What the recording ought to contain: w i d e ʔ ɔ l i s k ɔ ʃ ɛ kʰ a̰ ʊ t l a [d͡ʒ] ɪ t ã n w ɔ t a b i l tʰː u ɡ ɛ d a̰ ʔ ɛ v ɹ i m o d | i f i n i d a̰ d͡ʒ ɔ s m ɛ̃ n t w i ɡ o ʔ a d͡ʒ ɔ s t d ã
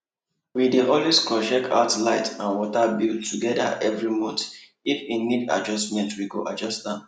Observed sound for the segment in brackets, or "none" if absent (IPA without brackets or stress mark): none